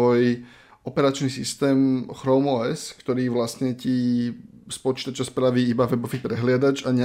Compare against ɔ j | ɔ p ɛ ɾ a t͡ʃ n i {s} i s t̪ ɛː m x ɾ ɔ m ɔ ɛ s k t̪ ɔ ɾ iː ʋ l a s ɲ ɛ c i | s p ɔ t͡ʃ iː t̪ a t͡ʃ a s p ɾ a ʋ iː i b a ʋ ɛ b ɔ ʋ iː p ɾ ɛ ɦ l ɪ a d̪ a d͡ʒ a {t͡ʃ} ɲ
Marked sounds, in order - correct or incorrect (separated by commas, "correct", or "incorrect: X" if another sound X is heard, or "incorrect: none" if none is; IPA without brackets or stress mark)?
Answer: correct, incorrect: none